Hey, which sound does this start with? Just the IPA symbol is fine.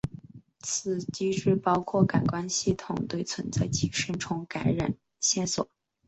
t͡sʰ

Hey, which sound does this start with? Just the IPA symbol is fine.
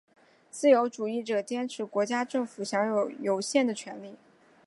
t͡s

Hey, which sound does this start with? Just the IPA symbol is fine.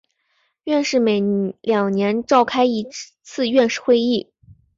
ɥ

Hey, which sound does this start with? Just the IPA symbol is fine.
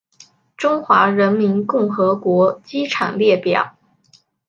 ʈ͡ʂ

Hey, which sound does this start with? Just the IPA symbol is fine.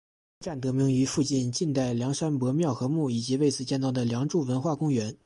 ʈ͡ʂ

